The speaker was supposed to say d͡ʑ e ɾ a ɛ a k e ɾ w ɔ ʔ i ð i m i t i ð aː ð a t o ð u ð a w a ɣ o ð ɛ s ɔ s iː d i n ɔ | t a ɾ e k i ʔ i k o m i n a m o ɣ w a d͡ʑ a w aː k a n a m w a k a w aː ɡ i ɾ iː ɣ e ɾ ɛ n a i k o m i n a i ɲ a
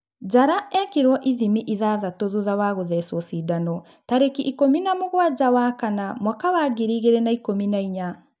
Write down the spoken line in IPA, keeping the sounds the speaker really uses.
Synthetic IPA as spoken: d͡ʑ a ɾ a ɛ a k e ɾ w ɔ ʔ i ð i m i ʔ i ð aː ð a t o ð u ð a w a ɣ o ð ɛ s ɔ s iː d a n ɔ | t a ɾ e k i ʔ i k o m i n a m o ɣ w a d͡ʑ a w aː k a n a m w a k a w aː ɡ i ɾ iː ɣ e ɾ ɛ n a i k o m i n a i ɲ a